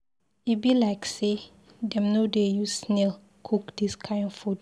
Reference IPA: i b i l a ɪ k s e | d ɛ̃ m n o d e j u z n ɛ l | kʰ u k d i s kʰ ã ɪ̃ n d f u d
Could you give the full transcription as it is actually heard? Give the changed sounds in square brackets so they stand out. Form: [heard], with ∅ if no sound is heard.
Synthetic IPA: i b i l a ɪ k s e | d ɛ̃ m n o d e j u [s] n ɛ l | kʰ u k d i s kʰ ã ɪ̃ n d f u d